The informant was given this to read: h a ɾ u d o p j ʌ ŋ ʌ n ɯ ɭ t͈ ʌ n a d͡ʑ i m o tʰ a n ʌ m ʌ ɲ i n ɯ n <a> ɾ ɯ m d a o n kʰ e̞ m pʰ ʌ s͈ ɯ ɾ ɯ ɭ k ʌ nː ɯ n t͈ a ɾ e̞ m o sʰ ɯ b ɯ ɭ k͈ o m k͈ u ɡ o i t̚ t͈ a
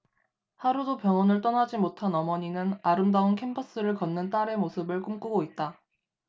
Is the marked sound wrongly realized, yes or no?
no